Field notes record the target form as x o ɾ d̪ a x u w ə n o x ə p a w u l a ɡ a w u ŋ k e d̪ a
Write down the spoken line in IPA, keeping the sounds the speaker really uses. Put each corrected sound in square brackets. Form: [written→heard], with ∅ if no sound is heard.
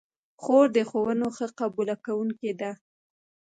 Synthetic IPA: x o ɾ d̪ [a→ə] x [u→o] w ə n o x ə [p→q] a [w→b] u l a [ɡ→k] a w u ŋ k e d̪ a